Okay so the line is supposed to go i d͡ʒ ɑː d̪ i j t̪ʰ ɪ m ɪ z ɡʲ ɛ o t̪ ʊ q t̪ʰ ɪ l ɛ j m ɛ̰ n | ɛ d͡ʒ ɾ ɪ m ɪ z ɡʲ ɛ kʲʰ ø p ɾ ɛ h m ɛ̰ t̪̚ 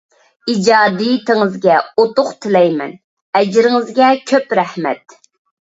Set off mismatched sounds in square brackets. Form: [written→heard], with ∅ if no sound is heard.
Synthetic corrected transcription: i d͡ʒ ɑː d̪ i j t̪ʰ ɪ [m→ŋ] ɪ z ɡʲ ɛ o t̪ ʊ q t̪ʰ ɪ l ɛ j m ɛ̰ n | ɛ d͡ʒ ɾ ɪ [m→ŋ] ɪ z ɡʲ ɛ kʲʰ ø p ɾ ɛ h m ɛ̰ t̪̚